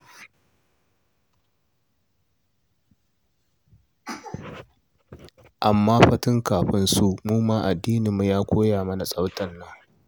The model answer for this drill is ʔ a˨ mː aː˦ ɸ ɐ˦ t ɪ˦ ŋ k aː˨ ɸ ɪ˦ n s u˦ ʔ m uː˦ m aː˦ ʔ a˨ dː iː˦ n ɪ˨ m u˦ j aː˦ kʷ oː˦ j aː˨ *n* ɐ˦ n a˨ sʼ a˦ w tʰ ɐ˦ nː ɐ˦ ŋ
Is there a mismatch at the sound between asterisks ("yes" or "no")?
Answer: yes